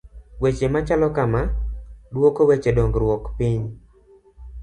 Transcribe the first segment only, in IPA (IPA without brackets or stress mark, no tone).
w